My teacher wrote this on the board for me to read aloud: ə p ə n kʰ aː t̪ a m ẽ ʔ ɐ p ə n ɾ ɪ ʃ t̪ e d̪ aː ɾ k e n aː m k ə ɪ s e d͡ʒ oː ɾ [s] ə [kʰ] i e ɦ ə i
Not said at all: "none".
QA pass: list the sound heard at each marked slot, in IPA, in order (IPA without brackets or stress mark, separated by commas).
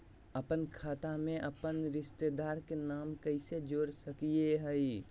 s, k